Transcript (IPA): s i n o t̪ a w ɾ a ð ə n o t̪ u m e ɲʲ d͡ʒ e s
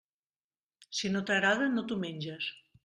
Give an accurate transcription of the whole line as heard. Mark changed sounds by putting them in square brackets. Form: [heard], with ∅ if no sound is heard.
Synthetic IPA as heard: s i n o t̪ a [ɣ] ɾ a ð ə n o t̪ u m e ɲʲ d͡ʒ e s

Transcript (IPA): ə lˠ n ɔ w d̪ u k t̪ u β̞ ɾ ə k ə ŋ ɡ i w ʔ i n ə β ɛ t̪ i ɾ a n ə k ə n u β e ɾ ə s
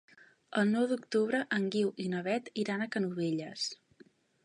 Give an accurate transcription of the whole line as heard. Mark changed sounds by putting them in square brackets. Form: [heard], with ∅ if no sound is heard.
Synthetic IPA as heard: ə lˠ n ɔ w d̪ u k t̪ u β̞ ɾ ə [ʔ] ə ŋ ɡ i w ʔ i n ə β ɛ t̪ i ɾ a n ə k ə n u β e [ʎ] ə s

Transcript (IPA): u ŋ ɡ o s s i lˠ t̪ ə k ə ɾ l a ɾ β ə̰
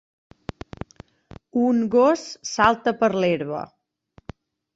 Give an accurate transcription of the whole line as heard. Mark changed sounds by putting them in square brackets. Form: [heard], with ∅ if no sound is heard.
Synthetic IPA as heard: u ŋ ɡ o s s [a] lˠ t̪ ə [p] ə ɾ l [e] ɾ β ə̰

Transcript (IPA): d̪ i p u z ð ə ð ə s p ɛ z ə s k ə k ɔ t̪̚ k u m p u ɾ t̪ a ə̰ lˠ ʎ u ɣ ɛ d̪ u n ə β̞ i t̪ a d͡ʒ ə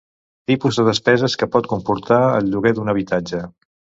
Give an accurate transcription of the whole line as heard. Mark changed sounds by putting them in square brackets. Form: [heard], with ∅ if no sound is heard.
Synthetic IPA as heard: [t̪] i p u z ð ə ð ə s p ɛ z ə s k ə [p] ɔ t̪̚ k u m p u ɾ t̪ a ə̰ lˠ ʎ u ɣ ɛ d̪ u n ə β̞ i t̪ a d͡ʒ ə

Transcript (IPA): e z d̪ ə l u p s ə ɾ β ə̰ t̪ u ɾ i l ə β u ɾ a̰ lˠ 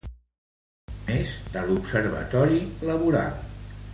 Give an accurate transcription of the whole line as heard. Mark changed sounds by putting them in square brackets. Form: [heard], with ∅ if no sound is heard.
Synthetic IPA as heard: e z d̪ ə l u p s ə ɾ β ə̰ t̪ [ɔ] ɾ i l ə β u ɾ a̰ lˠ

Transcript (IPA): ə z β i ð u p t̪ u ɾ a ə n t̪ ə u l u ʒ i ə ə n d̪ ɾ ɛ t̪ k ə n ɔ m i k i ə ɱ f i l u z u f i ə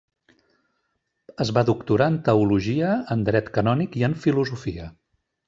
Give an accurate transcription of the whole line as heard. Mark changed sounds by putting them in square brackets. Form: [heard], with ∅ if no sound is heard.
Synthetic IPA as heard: ə z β [a] ð u [k] t̪ u ɾ a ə n t̪ ə u l u ʒ i ə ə n d̪ ɾ ɛ t̪ k ə n ɔ [n] i k i ə ɱ f i l u z u f i ə

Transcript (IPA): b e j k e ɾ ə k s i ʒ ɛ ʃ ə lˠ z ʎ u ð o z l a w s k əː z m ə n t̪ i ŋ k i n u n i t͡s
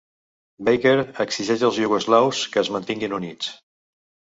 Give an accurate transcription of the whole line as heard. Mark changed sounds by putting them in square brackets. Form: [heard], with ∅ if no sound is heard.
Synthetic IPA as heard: b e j k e ɾ ə k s i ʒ ɛ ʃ ə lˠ z ʎ u [ɣ] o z l a w s k əː z m ə n t̪ i ŋ [ɡ] i n u n i t͡s

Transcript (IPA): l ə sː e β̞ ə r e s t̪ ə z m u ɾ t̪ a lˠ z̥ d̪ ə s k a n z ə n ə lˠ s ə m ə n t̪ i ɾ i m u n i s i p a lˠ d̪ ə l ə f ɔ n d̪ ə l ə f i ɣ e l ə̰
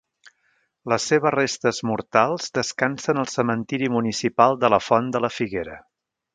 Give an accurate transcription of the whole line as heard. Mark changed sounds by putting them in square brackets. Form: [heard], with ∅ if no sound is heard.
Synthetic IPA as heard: l ə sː e β̞ ə r e s t̪ ə z m u ɾ t̪ a lˠ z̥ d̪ ə s k a n [s] ə n ə lˠ s ə m ə n t̪ i ɾ i m u n i s i p a lˠ d̪ ə l ə f ɔ n d̪ ə l ə f i ɣ e [ɾ] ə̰

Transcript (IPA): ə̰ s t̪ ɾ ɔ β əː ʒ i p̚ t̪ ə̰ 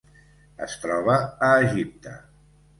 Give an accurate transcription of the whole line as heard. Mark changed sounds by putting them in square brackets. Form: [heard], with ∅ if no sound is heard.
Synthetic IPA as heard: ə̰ s t̪ ɾ ɔ β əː ʒ i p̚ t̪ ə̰

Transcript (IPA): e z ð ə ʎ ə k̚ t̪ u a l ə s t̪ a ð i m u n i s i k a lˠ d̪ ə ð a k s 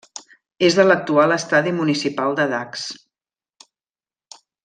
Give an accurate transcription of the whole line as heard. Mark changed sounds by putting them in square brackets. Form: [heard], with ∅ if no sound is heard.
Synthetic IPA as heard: e z ð ə [l] ə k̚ t̪ u a l ə s t̪ a ð i m u n i s i [p] a lˠ d̪ ə ð a k s

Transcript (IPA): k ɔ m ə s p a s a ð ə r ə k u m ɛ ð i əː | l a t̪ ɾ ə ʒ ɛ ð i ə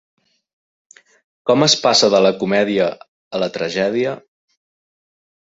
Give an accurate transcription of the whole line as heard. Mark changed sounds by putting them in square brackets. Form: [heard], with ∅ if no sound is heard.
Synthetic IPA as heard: k ɔ m ə s p a s [ə] ð ə [l] ə k u m ɛ ð i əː | l [ə] t̪ ɾ ə ʒ ɛ ð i ə

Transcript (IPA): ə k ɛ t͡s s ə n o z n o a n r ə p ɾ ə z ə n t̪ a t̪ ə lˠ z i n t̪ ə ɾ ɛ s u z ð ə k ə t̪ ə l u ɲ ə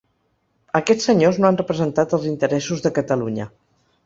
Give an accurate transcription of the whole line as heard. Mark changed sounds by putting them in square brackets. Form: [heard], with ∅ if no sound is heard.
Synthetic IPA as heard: ə k ɛ t͡s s ə [ɲ] o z n o a n r ə p ɾ ə z ə n t̪ a t̪ ə lˠ z i n t̪ ə ɾ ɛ s u z ð ə k ə t̪ ə l u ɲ ə

